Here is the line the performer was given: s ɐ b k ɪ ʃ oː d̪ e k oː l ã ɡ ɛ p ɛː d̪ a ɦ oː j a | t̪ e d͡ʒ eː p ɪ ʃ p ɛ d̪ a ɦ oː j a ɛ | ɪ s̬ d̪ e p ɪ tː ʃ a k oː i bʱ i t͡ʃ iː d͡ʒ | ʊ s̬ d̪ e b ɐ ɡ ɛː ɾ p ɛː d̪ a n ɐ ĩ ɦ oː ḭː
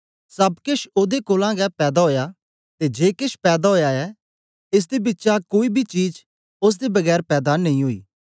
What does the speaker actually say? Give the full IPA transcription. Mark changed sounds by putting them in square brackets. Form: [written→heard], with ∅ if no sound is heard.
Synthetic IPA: s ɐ b k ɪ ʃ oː d̪ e k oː l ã ɡ ɛ p ɛː d̪ a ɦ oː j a | t̪ e d͡ʒ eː [p→k] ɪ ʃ p [ɛ→ɛː] d̪ a ɦ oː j a ɛ | ɪ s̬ d̪ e [p→b] ɪ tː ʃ a k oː i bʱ i t͡ʃ iː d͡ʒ | ʊ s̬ d̪ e b ɐ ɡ ɛː ɾ p ɛː d̪ a n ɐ ĩ ɦ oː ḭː